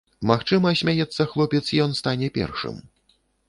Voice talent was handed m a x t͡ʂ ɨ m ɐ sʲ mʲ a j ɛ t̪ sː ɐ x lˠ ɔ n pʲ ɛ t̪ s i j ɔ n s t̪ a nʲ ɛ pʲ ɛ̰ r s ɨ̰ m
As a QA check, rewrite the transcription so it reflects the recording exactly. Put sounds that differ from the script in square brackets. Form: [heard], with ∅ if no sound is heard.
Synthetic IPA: m a x t͡ʂ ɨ m ɐ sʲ mʲ a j ɛ t̪ sː ɐ x lˠ ɔ [∅] pʲ ɛ t̪ s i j ɔ n s t̪ a nʲ ɛ pʲ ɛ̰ r [ʂ] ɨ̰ m